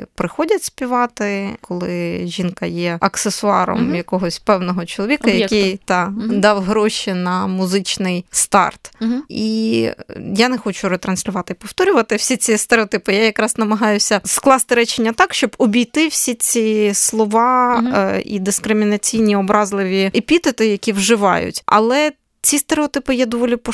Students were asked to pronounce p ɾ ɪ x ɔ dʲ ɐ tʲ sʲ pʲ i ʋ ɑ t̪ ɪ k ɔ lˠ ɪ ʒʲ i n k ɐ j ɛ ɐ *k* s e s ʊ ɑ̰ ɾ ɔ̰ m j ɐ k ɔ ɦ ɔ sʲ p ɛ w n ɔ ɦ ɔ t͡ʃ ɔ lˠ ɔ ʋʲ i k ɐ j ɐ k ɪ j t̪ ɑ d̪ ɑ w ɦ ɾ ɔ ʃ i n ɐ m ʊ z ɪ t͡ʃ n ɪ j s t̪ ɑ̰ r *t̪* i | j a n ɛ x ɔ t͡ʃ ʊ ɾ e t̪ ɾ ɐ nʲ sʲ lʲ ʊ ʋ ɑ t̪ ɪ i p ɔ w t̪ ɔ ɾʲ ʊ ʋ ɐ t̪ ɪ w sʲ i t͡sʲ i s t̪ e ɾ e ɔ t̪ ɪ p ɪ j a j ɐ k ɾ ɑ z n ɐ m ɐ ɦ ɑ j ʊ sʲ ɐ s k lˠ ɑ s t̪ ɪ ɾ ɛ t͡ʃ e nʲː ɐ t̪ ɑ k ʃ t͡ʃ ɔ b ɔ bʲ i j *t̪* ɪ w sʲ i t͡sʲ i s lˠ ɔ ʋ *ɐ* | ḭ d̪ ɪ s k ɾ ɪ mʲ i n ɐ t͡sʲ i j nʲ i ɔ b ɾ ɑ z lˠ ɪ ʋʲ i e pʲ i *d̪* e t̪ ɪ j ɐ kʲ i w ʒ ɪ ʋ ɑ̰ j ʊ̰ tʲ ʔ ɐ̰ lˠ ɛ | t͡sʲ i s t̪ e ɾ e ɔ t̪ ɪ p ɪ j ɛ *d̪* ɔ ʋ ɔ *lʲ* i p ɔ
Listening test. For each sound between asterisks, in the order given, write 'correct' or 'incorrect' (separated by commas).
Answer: correct, correct, correct, incorrect, incorrect, correct, correct